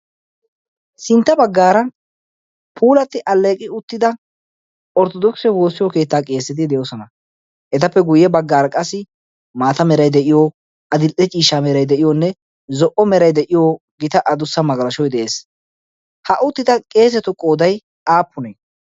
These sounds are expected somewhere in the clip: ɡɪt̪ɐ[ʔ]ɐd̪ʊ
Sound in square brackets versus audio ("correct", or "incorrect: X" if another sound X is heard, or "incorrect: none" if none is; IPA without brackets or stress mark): correct